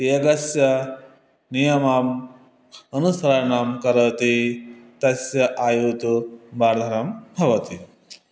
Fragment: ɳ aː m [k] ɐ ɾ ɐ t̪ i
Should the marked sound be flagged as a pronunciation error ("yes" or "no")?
no